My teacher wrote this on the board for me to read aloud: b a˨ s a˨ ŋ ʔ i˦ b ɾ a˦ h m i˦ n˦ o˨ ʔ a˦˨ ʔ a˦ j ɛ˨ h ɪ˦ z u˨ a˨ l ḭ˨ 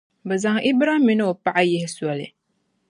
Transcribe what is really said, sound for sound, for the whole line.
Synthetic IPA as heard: b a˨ z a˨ ŋ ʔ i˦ b ɾ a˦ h m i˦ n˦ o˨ p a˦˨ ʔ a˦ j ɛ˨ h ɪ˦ s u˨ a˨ l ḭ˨